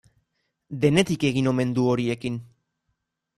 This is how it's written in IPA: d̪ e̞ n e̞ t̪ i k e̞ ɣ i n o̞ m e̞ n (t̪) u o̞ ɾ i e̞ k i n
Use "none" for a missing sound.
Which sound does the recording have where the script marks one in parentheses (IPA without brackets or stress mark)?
d̪